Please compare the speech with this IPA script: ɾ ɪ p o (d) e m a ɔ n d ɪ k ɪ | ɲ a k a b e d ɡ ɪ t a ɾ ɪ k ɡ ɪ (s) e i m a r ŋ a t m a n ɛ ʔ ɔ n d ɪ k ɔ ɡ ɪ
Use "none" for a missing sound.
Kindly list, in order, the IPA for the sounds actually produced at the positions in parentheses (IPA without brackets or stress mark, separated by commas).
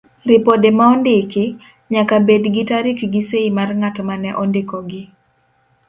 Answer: d, s